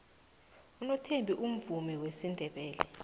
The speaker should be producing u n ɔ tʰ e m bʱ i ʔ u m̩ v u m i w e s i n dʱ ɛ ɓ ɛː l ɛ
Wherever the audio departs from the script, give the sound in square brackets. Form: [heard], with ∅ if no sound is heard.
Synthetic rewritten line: u n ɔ tʰ e m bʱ i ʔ u m̩ v u m i w e s i n dʱ ɛ ɓ ɛː l ɛ